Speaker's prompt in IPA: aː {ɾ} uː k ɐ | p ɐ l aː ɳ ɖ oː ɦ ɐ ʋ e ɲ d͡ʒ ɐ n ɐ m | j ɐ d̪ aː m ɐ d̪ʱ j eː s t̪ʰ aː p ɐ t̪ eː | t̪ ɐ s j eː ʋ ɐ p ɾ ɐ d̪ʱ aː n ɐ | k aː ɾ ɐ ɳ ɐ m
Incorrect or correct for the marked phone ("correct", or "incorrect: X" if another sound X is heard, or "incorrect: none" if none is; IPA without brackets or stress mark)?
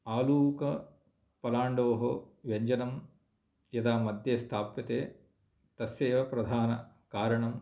incorrect: l